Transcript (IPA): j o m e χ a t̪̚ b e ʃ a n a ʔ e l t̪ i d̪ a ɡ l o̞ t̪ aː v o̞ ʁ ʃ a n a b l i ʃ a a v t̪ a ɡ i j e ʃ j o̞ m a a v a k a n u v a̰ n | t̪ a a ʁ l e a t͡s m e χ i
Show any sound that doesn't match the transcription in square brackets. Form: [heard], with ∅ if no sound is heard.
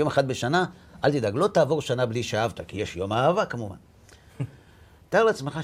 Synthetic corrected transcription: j o m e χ a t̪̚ b e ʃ a n a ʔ [a] l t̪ i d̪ a ɡ l o̞ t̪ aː v o̞ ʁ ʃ a n a b l i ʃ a a v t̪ a [k] i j e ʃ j o̞ m a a v a k a [m] u v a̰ n | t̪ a a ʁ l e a t͡s m e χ [a]